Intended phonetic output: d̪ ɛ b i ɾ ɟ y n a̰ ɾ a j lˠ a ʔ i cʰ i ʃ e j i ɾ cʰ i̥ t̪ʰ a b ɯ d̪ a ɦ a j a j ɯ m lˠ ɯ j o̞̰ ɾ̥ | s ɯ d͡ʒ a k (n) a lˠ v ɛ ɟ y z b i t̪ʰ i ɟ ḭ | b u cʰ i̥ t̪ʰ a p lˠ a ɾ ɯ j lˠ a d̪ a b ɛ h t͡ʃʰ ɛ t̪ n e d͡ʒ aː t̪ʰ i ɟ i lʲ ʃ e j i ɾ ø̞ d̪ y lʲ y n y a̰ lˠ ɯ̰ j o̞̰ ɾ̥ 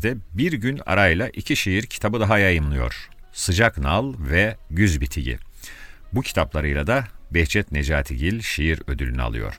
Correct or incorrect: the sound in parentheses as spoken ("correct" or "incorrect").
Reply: correct